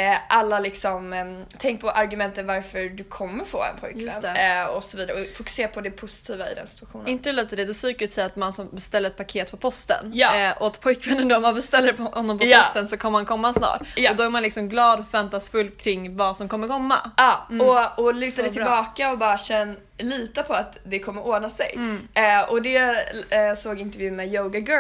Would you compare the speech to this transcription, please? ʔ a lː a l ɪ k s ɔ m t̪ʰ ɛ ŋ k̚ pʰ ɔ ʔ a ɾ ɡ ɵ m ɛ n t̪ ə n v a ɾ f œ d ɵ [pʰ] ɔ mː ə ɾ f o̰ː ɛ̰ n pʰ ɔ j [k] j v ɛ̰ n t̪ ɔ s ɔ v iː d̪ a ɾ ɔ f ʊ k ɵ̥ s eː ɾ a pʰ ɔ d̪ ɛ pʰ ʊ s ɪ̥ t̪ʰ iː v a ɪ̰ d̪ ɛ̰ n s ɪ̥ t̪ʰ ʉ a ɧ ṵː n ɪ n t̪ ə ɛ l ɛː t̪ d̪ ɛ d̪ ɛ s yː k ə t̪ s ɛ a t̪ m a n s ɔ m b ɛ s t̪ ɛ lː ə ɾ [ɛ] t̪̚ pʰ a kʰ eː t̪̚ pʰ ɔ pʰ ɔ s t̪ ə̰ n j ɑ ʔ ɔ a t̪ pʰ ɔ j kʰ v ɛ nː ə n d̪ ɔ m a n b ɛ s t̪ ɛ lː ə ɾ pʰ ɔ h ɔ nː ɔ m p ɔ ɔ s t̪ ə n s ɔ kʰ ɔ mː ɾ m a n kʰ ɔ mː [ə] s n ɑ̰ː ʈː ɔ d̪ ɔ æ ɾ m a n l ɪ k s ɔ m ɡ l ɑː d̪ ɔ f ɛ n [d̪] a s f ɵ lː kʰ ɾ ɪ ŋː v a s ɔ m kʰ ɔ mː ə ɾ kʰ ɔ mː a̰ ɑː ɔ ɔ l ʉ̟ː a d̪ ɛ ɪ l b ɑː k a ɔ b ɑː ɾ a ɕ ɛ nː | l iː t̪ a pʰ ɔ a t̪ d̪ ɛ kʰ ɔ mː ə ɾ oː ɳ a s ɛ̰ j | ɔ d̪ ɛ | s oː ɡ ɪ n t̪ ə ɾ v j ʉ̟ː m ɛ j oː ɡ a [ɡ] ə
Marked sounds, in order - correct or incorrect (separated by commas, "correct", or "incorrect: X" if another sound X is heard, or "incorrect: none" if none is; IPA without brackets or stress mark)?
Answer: incorrect: kʰ, correct, correct, incorrect: a, incorrect: t̪, correct